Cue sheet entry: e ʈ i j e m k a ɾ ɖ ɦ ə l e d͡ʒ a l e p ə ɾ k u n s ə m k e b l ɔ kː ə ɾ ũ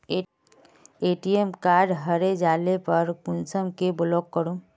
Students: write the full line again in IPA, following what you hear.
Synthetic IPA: e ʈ i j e m k a ɾ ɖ ɦ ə ɾ e d͡ʒ a l e p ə ɾ k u n s ə m k e b l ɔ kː ə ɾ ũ